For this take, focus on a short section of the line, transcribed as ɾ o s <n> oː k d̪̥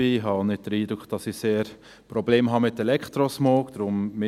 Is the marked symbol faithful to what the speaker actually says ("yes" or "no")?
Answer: no